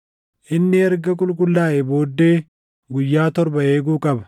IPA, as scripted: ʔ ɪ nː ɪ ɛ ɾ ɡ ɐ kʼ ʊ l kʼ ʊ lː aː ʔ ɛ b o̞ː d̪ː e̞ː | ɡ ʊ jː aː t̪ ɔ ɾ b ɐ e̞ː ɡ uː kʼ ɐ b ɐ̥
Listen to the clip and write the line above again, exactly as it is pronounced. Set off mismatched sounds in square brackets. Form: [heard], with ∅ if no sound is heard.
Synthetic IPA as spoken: ʔ ɪ nː ɪ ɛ ɾ ɡ ɐ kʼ ʊ l kʼ ʊ lː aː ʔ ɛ b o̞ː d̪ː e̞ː | ɡ ʊ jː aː t̪ ɔ ɾ b ɐ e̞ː ɡ uː kʼ ɐ b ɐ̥